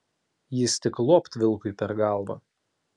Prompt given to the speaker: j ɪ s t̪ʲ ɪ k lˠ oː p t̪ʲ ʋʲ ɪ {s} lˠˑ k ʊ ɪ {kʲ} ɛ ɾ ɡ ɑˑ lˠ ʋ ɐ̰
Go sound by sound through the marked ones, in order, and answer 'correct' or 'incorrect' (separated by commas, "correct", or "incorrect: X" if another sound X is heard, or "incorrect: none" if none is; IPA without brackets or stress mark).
incorrect: none, incorrect: pʲ